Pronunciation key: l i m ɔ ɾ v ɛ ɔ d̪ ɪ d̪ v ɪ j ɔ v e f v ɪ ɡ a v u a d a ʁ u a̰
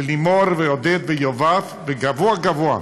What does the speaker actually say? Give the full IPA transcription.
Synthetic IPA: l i m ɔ ɾ v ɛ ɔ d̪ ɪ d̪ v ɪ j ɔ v a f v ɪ ɡ a v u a ɡ a v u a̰